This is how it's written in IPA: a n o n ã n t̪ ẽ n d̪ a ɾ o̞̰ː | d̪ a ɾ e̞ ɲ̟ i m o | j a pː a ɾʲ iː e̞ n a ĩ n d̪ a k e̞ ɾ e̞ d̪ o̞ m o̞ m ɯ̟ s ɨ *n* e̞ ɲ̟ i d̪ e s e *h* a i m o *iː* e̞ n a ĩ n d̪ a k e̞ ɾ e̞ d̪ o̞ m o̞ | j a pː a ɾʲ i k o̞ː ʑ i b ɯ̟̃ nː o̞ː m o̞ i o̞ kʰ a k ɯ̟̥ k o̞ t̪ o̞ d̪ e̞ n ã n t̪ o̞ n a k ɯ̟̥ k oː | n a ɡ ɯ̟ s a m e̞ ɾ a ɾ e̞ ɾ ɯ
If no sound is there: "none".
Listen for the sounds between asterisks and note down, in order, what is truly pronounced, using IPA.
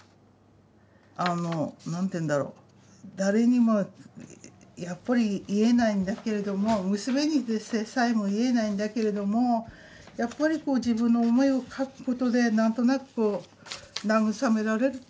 m, s, i

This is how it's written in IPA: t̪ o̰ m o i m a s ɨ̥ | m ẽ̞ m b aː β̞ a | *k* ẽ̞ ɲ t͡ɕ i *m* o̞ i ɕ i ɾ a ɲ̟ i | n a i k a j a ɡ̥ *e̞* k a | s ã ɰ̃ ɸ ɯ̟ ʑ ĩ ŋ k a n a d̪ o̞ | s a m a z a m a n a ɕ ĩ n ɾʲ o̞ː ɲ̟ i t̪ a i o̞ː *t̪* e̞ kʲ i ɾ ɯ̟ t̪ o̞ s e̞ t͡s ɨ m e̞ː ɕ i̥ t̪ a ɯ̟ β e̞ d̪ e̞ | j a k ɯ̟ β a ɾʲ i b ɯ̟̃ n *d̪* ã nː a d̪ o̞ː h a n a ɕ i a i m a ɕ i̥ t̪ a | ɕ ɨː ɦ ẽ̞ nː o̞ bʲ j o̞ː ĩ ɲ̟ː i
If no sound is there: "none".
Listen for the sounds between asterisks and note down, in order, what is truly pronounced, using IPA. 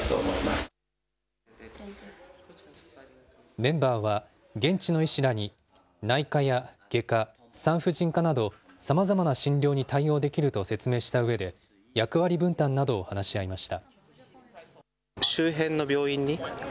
ɡ, n, e̞, d̪, t̪

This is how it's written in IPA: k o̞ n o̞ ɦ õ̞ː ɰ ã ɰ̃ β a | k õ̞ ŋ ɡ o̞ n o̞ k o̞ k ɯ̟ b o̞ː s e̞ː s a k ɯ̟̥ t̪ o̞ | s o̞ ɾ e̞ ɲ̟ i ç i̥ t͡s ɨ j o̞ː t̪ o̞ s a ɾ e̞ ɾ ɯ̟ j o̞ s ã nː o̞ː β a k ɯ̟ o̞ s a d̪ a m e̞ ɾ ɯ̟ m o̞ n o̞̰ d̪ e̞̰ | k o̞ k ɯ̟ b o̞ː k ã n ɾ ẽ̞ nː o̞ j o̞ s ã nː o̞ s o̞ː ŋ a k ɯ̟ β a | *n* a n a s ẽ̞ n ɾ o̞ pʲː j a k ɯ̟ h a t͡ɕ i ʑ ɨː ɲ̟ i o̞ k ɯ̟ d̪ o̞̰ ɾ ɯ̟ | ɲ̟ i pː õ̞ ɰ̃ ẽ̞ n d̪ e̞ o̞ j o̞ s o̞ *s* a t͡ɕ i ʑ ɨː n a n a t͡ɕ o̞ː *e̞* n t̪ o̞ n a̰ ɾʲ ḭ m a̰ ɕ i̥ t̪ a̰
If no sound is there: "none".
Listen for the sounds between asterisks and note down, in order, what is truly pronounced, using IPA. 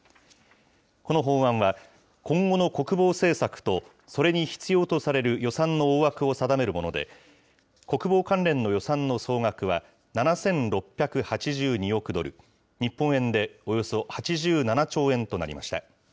n, h, ẽ̞

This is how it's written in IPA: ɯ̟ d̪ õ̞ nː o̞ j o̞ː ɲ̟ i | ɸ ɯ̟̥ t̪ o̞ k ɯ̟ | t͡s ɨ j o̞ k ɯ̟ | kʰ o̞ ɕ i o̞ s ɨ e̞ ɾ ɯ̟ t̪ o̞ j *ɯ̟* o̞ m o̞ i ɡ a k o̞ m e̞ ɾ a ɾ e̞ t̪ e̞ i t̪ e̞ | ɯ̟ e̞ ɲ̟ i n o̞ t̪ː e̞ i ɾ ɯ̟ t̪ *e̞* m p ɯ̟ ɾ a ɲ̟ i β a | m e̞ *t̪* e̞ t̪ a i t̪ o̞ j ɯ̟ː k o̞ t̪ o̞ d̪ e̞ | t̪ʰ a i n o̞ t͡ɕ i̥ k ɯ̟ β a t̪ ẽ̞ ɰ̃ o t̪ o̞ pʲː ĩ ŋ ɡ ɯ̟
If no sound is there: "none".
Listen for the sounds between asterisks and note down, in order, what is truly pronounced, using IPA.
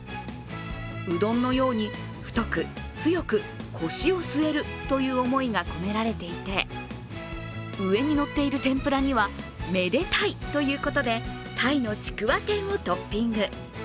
ɯ̟ː, ẽ̞, d̪

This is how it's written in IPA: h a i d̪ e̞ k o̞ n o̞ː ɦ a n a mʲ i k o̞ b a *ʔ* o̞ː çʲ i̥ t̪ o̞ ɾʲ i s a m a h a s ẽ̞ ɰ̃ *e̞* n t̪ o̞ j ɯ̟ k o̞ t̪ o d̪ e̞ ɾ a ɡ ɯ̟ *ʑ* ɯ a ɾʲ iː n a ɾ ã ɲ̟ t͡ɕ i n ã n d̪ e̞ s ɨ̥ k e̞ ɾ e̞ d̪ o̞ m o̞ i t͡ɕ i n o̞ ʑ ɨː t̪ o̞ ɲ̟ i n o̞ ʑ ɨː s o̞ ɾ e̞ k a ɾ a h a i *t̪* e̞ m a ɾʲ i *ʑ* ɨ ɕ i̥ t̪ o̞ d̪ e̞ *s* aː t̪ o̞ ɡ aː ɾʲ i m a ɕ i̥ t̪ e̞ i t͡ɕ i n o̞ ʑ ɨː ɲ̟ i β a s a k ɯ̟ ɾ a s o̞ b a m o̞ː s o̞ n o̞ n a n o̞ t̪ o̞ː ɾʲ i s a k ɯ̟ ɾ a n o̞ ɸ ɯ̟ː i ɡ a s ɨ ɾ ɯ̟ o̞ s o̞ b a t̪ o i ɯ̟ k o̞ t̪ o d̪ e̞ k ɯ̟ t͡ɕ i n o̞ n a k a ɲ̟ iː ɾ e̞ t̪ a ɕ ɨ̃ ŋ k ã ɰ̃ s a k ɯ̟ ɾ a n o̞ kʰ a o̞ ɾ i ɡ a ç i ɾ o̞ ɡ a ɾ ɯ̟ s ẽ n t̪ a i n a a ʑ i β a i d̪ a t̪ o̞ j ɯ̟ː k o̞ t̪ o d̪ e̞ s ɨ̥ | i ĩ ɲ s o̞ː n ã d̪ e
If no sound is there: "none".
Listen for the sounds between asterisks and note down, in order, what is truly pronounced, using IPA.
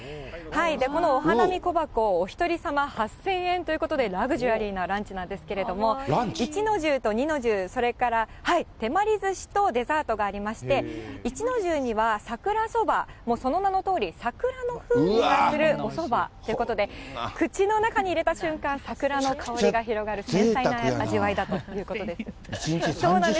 k, ẽ̞, ʑ, t̪, z, z

